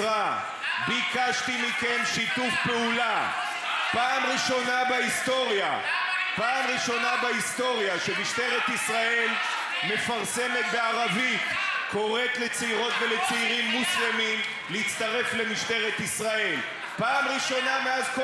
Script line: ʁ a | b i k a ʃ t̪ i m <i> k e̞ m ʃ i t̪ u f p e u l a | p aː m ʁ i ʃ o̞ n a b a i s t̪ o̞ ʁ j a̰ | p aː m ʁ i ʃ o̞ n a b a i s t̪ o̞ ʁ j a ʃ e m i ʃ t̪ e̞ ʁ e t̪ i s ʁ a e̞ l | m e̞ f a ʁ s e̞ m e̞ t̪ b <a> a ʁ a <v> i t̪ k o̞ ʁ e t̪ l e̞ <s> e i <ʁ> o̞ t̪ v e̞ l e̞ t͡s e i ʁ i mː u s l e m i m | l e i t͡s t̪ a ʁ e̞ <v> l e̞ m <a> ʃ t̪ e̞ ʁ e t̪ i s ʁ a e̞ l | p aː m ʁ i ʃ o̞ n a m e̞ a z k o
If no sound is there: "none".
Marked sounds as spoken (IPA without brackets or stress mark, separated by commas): i, e, v, t͡s, ʁ, f, i